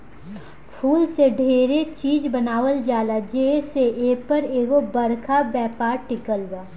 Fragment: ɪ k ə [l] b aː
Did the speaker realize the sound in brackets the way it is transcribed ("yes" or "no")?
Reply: yes